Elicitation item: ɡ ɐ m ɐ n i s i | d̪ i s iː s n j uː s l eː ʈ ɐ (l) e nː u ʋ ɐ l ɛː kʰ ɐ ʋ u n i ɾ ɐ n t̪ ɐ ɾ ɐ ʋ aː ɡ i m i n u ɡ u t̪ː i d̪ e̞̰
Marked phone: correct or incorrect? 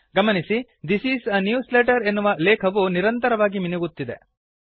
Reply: incorrect: ɾ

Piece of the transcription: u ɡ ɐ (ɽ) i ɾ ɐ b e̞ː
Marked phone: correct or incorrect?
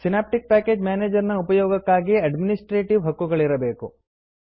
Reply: incorrect: ɭ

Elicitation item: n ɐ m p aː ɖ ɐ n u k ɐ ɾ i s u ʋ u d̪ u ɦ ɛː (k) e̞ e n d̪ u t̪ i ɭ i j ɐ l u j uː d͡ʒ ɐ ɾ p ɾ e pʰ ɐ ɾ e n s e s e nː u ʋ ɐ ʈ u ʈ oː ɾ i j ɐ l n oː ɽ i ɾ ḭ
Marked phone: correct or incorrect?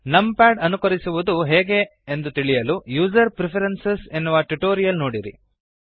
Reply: incorrect: ɡ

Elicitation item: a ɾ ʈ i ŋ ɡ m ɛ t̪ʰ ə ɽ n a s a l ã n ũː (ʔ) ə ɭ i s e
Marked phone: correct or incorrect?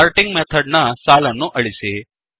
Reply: correct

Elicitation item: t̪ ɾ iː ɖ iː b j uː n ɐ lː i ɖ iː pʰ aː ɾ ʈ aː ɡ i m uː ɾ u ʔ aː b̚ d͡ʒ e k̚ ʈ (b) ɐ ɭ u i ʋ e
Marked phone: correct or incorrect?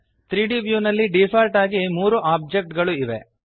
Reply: incorrect: ɡ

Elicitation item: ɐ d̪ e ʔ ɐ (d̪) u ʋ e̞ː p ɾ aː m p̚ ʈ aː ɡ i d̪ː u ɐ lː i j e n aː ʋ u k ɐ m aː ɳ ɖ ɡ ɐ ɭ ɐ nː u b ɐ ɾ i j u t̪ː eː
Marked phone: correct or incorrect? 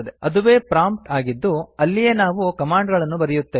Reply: correct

